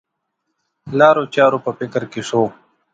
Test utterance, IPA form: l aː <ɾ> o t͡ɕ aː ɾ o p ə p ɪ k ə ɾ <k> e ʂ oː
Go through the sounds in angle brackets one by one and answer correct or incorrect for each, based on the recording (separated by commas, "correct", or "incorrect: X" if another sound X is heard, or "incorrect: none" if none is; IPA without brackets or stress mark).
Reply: correct, correct